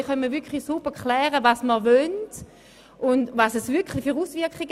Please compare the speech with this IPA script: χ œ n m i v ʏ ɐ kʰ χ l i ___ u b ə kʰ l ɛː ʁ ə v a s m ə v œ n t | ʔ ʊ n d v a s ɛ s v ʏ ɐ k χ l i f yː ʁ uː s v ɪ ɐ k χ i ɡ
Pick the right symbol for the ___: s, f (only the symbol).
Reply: s